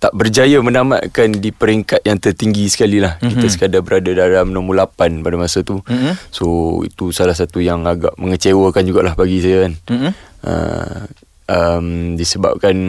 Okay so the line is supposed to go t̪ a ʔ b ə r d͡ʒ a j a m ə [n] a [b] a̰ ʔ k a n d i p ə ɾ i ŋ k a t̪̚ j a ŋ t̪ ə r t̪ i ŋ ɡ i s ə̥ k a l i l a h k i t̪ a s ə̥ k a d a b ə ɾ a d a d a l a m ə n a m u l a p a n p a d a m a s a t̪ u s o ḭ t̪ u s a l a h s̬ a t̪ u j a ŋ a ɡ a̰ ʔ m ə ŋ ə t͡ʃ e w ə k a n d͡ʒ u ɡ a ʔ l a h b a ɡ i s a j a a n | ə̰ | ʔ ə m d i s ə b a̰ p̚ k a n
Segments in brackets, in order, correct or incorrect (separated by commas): correct, incorrect